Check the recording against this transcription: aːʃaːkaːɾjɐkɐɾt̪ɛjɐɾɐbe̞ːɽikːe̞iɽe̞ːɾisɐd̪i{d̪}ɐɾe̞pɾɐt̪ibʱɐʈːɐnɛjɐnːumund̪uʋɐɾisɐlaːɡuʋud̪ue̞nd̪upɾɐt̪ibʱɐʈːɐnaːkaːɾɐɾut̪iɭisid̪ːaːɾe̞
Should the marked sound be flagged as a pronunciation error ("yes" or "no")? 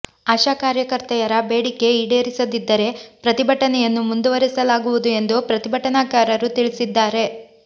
yes